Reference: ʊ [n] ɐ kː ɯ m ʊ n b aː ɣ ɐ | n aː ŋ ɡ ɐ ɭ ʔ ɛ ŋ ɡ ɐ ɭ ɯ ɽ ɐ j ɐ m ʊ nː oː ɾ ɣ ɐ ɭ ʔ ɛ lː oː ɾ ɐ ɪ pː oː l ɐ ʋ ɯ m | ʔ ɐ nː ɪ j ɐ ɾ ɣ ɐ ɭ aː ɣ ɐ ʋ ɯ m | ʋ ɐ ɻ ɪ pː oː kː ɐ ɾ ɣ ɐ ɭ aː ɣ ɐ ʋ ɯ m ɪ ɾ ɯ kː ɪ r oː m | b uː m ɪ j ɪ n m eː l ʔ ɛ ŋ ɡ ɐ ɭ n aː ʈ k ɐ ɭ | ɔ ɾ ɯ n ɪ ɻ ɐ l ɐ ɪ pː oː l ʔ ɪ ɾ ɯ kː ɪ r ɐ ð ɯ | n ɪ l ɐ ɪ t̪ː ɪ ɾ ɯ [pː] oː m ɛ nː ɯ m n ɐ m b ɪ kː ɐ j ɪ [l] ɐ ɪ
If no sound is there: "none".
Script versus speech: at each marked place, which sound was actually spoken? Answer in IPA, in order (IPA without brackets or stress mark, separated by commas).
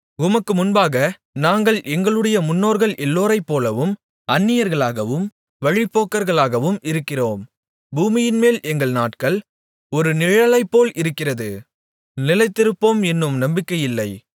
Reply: m, pː, lː